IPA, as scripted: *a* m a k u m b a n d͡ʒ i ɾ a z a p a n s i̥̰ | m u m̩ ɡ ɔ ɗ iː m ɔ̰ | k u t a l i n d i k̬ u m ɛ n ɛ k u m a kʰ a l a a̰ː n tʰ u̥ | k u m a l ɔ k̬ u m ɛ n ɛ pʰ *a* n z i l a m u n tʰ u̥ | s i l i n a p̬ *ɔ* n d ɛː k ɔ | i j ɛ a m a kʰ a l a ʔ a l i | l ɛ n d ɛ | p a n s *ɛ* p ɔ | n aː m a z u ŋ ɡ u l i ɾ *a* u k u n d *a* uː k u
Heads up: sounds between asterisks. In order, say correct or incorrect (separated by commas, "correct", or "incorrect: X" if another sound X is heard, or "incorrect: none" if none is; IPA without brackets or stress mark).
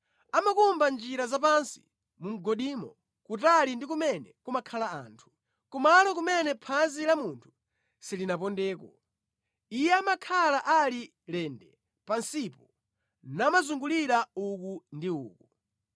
correct, correct, correct, incorrect: i, correct, incorrect: i